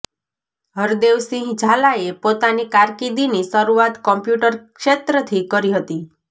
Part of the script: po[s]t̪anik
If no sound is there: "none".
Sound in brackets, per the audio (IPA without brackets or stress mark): none